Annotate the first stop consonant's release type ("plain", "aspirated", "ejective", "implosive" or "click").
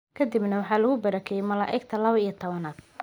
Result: aspirated